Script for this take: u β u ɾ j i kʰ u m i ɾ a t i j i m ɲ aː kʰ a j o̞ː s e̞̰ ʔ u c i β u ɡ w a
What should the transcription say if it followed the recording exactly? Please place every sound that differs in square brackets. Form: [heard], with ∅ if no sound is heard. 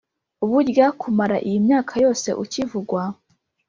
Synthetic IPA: u β u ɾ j [a] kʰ u m [a] ɾ a [ʔ] i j i m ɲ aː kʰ a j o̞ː s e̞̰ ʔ u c i [v] u ɡ w a